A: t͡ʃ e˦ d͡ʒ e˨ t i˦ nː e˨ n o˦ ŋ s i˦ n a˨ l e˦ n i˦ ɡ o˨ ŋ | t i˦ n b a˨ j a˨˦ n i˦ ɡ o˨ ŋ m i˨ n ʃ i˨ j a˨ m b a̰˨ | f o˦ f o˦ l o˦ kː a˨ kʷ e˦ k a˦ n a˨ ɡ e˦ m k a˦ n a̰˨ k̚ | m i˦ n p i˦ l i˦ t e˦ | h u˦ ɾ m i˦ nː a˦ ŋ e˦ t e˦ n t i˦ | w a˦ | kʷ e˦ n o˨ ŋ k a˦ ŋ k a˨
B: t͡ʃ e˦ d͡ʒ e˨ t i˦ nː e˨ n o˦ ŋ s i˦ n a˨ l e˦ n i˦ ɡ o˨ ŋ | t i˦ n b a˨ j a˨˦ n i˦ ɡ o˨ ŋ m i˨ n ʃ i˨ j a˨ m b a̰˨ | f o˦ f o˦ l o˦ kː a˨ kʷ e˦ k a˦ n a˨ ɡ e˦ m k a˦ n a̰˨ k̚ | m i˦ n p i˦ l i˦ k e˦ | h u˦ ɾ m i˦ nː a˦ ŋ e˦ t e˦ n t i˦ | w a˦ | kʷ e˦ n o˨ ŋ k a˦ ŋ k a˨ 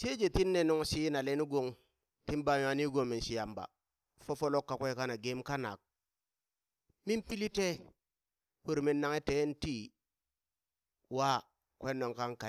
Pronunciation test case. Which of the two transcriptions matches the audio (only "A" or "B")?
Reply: A